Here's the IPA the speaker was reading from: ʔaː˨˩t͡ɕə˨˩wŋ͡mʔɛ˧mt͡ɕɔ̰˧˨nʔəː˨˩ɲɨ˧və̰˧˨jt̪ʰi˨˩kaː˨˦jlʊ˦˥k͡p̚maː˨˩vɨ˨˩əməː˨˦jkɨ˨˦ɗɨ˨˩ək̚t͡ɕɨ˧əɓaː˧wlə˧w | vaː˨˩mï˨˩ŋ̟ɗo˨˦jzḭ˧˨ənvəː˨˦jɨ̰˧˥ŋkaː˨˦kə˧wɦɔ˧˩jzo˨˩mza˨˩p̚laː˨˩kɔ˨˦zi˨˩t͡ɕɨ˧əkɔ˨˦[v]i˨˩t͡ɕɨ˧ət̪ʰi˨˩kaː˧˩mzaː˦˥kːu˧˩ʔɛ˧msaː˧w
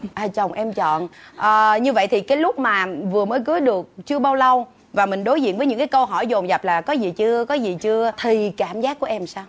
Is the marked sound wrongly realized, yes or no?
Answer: yes